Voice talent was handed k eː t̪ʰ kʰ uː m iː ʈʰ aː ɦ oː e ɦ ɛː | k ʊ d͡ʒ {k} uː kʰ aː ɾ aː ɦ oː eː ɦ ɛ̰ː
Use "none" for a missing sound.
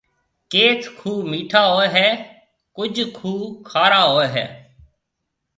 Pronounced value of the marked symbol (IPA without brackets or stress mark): kʰ